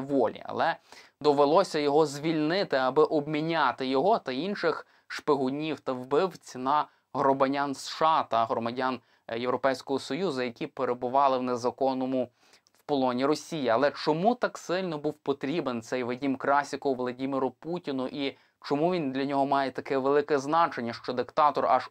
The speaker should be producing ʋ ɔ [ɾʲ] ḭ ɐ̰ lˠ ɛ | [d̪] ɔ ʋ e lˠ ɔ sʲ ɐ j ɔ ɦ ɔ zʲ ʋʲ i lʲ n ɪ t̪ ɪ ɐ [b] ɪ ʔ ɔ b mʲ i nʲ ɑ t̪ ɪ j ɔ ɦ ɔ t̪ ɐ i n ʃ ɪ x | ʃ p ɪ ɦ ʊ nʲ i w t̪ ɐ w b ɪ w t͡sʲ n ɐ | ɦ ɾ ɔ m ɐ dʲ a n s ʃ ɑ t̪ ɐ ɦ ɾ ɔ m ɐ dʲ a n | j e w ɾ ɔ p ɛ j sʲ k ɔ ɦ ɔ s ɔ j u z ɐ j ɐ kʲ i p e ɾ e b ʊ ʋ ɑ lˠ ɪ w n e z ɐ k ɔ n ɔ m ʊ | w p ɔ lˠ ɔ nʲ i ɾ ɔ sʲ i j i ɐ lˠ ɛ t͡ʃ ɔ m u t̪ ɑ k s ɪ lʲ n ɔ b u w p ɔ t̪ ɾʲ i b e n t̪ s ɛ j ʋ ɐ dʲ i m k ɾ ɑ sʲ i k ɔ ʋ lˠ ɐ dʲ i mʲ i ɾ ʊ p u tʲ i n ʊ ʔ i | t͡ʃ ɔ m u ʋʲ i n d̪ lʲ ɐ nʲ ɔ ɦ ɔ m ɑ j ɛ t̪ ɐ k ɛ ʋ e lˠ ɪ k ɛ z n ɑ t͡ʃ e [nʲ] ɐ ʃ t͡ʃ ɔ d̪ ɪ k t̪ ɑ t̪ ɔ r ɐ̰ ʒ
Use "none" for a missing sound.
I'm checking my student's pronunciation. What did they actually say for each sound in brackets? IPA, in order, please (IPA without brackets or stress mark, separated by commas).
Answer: lʲ, d̪, b, nʲː